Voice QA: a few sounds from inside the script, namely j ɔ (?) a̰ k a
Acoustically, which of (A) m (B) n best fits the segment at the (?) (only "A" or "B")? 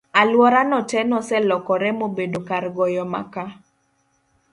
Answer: A